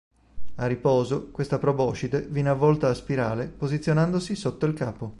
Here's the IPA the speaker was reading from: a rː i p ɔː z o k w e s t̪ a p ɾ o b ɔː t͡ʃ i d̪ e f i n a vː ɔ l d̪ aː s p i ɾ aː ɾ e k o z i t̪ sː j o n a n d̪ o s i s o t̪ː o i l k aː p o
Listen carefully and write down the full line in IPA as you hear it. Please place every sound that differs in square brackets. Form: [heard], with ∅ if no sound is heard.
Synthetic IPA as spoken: a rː i p ɔː z o k w e s t̪ a p ɾ o b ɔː t͡ʃ i d̪ e [v] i n a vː ɔ l [t̪] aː s p i ɾ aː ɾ e [p] o z i t̪ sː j o n a n d̪ o s i s o t̪ː o i l k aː p o